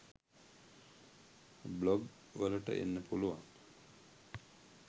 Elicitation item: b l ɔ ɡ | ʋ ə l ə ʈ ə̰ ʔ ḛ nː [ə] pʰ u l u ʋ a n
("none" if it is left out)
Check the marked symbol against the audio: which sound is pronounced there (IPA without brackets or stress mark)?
ə